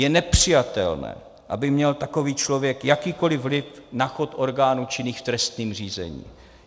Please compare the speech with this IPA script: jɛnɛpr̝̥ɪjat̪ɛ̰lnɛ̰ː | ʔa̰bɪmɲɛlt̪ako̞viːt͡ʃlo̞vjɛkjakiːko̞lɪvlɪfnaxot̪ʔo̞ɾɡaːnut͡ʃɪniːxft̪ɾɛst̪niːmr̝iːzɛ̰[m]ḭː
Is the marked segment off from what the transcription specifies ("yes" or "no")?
yes